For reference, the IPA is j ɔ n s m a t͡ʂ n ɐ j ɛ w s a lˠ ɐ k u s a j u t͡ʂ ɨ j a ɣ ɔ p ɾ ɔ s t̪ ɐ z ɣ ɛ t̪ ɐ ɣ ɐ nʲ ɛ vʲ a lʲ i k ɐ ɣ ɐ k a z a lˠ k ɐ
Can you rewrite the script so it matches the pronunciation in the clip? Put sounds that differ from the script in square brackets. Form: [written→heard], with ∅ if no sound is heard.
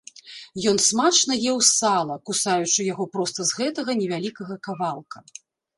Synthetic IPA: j ɔ n s m a t͡ʂ n ɐ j ɛ w s a lˠ ɐ k u s a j u t͡ʂ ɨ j a ɣ ɔ p ɾ ɔ s t̪ ɐ z ɣ ɛ t̪ ɐ ɣ ɐ nʲ ɛ vʲ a lʲ i k ɐ ɣ ɐ k a [z→v] a lˠ k ɐ